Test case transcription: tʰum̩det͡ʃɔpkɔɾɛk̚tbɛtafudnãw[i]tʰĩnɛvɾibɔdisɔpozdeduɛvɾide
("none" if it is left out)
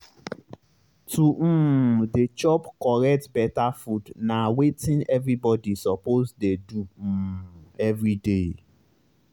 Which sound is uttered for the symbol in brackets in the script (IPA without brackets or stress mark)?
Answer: e